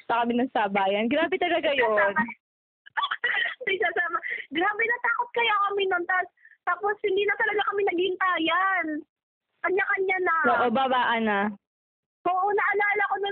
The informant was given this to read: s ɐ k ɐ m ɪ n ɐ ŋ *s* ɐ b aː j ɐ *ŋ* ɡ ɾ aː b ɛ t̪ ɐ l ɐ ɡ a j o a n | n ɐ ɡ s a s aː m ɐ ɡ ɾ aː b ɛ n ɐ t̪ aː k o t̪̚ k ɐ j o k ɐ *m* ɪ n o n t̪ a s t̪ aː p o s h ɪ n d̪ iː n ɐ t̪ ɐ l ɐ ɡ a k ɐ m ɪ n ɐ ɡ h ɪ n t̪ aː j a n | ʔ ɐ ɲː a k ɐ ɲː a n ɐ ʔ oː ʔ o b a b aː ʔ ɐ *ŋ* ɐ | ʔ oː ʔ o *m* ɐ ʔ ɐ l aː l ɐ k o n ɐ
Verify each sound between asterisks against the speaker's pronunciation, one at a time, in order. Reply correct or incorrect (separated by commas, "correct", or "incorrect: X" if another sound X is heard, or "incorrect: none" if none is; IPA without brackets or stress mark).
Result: correct, incorrect: n, correct, incorrect: n, incorrect: n